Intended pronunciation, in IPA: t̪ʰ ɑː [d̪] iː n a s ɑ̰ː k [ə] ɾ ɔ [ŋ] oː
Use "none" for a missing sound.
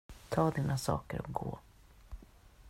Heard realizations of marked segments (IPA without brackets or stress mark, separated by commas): d̪, ə, ɡ